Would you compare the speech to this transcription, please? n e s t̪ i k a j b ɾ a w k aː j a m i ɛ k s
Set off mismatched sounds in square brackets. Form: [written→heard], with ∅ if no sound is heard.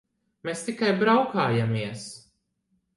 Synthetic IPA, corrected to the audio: [n→m] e s t̪ i k a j b ɾ a w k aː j a m i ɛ [k→∅] s

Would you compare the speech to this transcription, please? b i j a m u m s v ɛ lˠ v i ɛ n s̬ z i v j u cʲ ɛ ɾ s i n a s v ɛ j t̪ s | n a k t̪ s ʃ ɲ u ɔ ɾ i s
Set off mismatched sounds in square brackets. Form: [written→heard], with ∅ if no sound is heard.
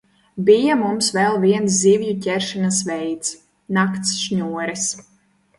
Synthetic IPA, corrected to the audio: b i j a m u m s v ɛ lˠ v i ɛ n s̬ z i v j u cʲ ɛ ɾ [s→ʃ] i n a s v ɛ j t̪ s | n a k t̪ s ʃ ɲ u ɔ ɾ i s

